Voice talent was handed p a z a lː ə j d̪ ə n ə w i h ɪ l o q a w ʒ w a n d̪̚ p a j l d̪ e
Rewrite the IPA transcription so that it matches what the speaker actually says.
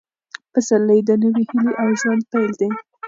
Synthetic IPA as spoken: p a s a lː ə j d̪ ə n ə w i h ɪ l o ʔ a w ʒ w a n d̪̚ p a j l d̪ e